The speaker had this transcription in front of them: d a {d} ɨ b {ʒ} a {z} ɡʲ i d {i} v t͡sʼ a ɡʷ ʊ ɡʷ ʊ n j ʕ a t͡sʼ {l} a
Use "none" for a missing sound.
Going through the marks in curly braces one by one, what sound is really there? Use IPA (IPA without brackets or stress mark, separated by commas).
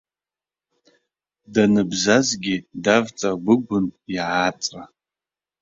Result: n, z, z, a, r